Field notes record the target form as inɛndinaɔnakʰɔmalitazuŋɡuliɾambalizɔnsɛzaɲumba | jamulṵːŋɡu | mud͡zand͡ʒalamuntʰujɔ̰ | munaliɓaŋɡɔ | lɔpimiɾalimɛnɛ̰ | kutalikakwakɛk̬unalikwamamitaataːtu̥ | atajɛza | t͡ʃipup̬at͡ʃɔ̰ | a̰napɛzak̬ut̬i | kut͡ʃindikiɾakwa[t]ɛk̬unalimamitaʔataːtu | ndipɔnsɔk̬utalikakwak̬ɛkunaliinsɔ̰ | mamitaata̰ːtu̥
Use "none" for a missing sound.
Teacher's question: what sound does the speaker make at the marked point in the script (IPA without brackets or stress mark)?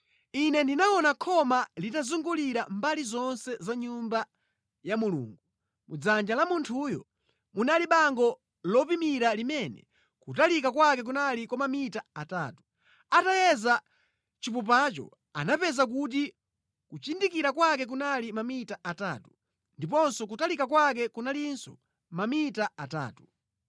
k